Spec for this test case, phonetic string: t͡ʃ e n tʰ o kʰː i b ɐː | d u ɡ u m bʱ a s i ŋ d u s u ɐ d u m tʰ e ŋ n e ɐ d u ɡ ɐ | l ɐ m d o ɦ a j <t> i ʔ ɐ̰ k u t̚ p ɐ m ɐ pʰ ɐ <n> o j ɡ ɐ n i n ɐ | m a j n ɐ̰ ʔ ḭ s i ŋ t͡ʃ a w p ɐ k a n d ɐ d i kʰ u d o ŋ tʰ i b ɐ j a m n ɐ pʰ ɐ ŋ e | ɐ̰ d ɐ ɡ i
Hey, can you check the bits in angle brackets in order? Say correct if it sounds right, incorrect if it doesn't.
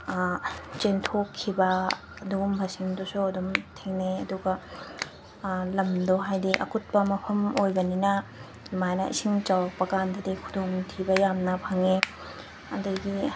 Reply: incorrect: d, incorrect: m

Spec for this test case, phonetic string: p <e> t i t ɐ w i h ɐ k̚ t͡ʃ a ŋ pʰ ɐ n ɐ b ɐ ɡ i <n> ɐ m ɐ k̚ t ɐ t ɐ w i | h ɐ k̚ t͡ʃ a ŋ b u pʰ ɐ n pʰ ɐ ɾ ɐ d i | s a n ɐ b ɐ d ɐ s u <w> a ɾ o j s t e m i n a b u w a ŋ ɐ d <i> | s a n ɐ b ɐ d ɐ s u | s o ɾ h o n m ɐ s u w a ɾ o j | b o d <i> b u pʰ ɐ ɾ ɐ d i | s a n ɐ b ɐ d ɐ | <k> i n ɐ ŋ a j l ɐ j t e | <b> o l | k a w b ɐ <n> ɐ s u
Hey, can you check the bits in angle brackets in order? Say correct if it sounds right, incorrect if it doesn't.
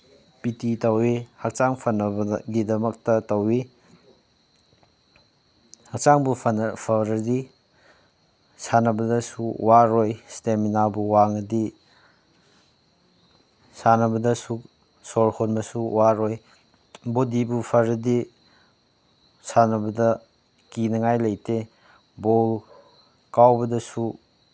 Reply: incorrect: i, incorrect: d, correct, correct, correct, correct, correct, incorrect: d

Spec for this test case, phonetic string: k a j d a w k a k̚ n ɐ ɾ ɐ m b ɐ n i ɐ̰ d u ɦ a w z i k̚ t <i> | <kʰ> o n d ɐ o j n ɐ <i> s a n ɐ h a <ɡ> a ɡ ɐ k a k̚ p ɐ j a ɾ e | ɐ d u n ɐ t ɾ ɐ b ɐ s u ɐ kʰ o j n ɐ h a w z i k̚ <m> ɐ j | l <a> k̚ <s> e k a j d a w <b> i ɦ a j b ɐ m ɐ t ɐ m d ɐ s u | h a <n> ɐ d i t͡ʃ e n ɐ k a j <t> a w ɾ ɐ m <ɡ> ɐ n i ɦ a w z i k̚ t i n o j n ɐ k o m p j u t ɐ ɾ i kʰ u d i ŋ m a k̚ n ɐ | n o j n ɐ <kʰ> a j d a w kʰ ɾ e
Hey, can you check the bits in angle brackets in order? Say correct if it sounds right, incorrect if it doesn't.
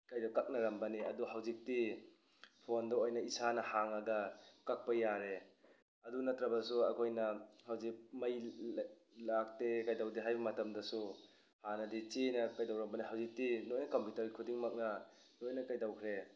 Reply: correct, incorrect: pʰ, correct, incorrect: ŋ, correct, correct, incorrect: t, incorrect: d, correct, incorrect: d, incorrect: b, incorrect: k

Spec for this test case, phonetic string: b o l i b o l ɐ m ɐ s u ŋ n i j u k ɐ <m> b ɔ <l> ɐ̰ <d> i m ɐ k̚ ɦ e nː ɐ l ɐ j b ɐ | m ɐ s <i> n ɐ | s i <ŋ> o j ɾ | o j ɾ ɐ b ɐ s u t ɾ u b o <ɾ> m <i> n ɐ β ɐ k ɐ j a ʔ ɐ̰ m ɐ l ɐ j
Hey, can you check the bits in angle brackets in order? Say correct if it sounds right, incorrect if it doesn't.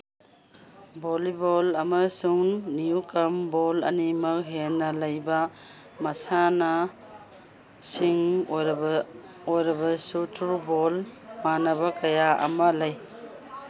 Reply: correct, correct, incorrect: n, incorrect: a, correct, incorrect: l, incorrect: a

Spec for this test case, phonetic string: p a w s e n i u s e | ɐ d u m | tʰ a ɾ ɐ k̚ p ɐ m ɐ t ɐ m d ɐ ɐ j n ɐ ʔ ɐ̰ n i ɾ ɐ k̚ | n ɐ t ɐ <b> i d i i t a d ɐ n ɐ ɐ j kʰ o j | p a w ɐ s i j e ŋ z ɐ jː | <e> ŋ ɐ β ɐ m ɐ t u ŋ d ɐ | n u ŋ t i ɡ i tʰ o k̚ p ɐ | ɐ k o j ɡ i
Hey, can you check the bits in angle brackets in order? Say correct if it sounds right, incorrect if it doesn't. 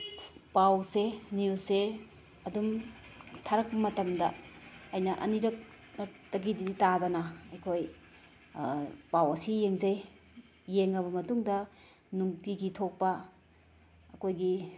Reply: incorrect: ɡ, correct

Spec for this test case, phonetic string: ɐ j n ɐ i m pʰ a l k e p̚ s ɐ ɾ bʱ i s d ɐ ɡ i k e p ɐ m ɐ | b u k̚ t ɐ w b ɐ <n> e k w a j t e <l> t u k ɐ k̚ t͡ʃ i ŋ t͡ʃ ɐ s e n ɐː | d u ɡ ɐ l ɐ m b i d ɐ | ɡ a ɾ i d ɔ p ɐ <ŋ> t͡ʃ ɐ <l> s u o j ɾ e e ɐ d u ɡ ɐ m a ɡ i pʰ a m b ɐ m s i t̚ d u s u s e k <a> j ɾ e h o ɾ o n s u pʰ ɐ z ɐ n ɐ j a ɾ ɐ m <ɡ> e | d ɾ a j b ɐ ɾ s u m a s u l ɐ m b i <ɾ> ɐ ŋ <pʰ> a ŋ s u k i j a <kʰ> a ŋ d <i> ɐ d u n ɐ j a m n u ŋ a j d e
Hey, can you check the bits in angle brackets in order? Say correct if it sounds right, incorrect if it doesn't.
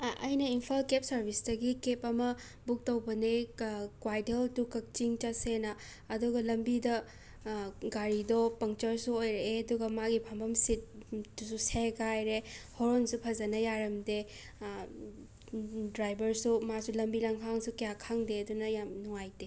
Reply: correct, correct, correct, incorrect: ɾ, correct, incorrect: d, incorrect: l, incorrect: kʰ, correct, incorrect: e

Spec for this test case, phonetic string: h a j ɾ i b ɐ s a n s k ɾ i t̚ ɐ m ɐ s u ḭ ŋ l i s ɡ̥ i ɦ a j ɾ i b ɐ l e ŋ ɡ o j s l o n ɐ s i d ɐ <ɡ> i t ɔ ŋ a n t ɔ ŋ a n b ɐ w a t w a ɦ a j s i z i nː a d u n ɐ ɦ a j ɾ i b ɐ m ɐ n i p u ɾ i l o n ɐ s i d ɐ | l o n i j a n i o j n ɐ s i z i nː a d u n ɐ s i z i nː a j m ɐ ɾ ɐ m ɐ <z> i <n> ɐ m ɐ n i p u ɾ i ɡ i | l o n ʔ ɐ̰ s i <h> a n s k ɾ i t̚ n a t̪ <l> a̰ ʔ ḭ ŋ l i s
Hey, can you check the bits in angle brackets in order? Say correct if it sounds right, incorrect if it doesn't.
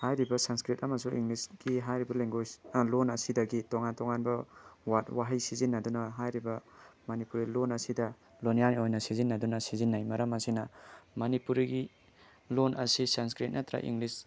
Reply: correct, incorrect: s, correct, incorrect: s, incorrect: ɾ

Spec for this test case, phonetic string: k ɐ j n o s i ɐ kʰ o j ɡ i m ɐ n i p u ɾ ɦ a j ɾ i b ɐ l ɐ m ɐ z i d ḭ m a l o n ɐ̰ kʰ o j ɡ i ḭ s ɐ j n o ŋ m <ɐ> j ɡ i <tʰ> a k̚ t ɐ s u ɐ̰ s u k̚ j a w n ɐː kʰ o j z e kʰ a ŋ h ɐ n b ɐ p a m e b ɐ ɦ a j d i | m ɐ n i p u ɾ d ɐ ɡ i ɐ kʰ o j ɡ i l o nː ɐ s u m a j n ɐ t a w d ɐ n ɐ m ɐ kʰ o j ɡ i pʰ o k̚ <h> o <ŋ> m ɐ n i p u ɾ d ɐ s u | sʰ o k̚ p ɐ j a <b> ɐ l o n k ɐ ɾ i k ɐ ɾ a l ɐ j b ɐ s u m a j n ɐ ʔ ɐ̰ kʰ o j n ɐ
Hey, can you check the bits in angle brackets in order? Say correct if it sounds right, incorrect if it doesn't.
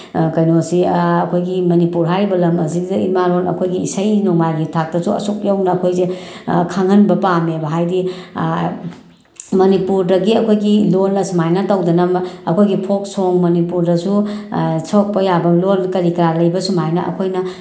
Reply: incorrect: a, correct, incorrect: s, correct, correct

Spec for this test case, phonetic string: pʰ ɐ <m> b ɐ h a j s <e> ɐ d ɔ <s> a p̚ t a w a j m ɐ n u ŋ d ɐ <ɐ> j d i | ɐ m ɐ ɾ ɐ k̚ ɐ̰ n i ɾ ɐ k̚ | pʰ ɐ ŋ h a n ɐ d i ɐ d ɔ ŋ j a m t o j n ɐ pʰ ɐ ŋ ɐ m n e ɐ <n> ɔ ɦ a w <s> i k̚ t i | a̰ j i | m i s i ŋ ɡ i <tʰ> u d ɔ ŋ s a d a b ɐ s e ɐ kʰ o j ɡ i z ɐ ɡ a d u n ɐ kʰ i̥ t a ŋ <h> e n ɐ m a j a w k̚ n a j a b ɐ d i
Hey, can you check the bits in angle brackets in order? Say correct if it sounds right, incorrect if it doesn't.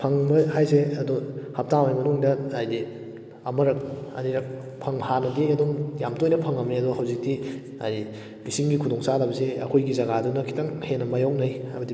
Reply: incorrect: ŋ, correct, incorrect: h, incorrect: a, incorrect: d, incorrect: z, incorrect: kʰ, correct

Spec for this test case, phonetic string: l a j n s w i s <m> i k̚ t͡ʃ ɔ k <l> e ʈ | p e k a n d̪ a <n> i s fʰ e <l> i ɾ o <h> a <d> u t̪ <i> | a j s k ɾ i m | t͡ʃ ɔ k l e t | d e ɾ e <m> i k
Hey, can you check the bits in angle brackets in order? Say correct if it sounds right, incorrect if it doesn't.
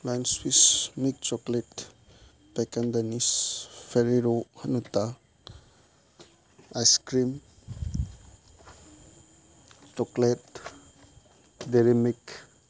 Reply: correct, correct, correct, incorrect: ɾ, correct, incorrect: n, incorrect: a, correct

